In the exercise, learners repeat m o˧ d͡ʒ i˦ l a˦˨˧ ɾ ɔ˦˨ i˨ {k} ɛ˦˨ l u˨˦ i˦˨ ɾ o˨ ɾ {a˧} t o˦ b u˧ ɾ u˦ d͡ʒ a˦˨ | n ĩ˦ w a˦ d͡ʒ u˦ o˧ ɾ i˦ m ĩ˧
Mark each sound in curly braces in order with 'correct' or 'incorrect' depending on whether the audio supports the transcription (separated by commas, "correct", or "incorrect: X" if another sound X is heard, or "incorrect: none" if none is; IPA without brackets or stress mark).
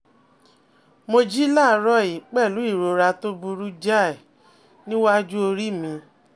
incorrect: k͡p, correct